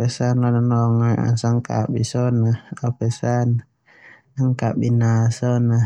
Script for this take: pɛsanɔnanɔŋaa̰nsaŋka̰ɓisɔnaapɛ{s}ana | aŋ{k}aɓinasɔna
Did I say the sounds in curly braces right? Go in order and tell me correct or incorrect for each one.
correct, correct

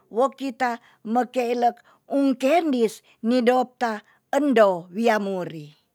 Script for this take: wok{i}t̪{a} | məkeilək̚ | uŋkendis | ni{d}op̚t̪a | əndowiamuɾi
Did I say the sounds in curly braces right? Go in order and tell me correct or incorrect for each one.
correct, correct, correct

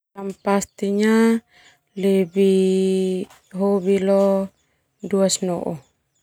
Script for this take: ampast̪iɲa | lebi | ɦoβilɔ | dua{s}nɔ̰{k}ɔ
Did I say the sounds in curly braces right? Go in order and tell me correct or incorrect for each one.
correct, incorrect: ʔ

